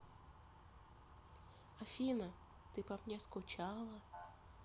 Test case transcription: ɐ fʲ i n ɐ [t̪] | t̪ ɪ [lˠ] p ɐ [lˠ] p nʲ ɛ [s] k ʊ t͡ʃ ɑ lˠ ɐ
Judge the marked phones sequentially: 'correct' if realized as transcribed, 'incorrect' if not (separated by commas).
incorrect, incorrect, incorrect, correct